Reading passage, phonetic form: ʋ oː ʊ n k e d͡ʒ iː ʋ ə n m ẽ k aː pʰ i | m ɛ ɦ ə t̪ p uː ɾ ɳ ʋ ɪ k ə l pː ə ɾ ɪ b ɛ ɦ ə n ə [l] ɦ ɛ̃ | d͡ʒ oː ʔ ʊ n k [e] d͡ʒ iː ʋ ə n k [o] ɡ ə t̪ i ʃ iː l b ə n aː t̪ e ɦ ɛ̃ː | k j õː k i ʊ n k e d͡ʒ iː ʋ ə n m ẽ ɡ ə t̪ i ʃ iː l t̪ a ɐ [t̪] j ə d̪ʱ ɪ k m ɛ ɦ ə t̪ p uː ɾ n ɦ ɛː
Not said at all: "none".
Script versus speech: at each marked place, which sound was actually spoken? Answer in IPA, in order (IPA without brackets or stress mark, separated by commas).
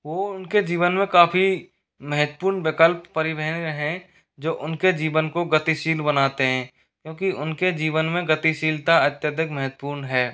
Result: none, e, o, t̪